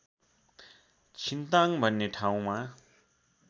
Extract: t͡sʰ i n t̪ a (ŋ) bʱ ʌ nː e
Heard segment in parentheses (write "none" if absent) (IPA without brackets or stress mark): ŋ